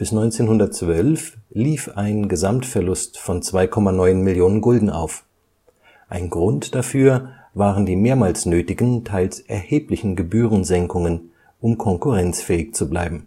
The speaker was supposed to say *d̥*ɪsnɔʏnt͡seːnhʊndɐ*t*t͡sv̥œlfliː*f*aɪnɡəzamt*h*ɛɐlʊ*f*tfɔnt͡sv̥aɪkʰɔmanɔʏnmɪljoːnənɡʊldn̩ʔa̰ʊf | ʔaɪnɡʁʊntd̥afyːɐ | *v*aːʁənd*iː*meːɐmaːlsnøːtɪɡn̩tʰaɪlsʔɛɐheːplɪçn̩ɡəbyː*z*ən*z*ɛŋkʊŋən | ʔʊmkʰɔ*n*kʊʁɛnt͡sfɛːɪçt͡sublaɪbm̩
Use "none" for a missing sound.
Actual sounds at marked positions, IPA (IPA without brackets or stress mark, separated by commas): b̥, t, f, f, s, v, iː, ʁ, z, ŋ